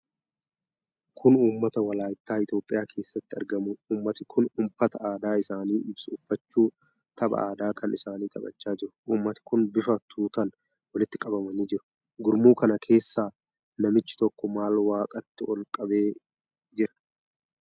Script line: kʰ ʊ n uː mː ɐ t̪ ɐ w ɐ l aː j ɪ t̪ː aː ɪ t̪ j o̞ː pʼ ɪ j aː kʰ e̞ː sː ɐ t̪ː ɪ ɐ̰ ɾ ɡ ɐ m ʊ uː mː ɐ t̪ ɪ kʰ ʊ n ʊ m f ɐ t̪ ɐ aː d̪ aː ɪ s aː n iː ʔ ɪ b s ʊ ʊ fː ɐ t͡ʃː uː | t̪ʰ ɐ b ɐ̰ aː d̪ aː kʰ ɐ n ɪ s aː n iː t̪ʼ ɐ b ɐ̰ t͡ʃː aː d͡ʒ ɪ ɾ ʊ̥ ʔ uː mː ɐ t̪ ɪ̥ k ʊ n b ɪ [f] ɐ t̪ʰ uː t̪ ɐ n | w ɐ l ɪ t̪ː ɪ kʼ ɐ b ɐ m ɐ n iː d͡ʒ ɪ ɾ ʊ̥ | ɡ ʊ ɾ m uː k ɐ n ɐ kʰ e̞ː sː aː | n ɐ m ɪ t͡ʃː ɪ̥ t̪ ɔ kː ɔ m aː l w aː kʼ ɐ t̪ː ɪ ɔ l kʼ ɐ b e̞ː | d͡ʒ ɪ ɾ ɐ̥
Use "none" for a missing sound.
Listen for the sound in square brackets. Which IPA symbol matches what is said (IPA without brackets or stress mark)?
f